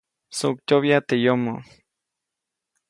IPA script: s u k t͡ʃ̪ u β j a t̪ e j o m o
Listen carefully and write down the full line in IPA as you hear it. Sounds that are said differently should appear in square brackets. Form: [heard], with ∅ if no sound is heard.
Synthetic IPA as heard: s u k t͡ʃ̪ [o] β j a t̪ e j o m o